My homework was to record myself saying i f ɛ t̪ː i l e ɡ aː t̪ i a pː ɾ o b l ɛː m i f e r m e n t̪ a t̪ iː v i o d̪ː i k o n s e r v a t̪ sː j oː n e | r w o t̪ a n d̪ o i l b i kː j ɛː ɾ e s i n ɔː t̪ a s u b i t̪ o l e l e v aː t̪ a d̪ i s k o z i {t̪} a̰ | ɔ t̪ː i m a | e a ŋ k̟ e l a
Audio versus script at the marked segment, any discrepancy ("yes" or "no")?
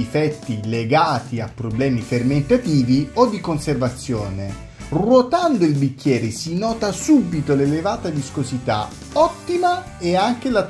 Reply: no